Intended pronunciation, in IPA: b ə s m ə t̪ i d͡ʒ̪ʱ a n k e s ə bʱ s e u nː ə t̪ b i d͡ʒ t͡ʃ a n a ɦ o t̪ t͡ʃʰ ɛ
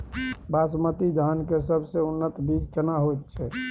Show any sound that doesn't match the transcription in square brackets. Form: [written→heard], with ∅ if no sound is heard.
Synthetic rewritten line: b [ə→a] s m ə t̪ i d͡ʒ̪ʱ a n k e s ə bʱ s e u nː ə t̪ b i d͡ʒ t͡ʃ [a→ə] n a ɦ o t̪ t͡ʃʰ ɛ